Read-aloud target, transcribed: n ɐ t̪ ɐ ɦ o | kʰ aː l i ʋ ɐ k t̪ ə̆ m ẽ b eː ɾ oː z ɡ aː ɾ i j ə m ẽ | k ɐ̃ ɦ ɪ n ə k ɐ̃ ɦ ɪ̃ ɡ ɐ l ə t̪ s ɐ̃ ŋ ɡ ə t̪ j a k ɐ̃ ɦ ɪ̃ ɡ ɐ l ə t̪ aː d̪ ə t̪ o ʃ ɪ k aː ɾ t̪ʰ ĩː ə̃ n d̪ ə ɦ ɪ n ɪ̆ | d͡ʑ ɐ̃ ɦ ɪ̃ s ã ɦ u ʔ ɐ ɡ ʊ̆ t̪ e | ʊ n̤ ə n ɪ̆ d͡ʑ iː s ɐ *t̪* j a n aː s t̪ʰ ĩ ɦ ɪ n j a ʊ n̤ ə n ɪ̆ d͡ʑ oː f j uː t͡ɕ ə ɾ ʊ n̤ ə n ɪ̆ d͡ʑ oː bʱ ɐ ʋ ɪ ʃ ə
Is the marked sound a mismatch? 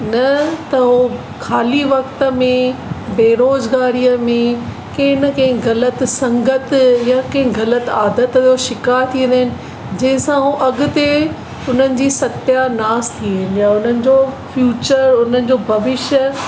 no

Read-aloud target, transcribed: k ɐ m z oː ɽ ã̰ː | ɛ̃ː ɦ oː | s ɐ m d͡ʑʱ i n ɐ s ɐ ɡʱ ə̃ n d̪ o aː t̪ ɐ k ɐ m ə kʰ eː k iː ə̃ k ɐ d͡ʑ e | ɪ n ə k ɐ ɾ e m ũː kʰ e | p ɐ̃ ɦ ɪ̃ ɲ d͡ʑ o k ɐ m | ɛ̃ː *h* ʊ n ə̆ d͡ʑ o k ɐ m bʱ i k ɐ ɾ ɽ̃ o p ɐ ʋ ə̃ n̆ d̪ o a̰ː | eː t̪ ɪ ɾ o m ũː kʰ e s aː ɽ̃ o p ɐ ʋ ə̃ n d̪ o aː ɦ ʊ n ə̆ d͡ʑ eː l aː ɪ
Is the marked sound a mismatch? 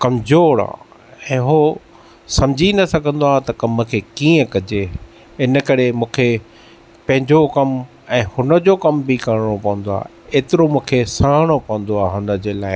no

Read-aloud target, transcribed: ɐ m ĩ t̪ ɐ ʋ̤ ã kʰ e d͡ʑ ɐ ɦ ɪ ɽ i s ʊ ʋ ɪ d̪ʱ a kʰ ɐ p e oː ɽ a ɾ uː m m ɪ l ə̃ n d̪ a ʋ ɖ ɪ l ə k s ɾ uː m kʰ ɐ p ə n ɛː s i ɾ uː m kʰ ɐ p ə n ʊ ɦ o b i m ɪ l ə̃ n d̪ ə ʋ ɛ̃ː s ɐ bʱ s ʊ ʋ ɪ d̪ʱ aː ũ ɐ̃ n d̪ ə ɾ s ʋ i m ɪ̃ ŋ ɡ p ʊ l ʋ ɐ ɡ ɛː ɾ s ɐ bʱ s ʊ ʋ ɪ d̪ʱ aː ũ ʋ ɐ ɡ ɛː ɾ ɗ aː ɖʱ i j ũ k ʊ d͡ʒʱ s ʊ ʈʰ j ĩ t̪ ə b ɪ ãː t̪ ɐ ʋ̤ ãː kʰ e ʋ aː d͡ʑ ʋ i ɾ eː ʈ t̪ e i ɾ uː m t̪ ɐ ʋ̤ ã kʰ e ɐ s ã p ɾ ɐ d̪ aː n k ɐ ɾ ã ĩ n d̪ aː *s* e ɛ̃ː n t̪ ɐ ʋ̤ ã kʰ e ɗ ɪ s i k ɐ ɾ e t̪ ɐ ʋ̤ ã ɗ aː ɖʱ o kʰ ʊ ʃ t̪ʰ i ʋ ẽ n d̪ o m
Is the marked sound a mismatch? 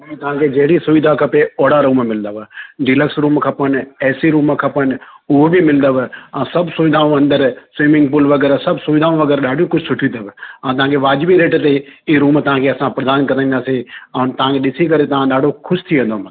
no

